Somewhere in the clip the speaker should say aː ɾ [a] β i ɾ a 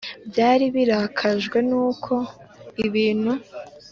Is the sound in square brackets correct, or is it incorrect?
incorrect